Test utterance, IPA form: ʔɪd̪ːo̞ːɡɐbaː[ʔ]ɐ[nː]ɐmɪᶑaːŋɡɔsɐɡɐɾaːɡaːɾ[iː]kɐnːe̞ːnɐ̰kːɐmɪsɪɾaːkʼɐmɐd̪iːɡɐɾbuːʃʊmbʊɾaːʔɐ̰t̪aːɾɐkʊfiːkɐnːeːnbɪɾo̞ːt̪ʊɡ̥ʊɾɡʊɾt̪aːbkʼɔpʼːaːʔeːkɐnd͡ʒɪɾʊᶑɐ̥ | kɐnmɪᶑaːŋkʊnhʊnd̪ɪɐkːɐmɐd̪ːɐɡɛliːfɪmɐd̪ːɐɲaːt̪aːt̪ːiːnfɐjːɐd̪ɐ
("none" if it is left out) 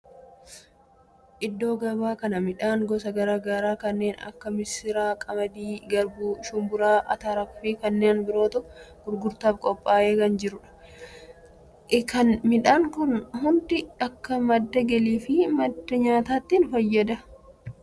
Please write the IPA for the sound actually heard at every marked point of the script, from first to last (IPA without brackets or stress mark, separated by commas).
k, n, aː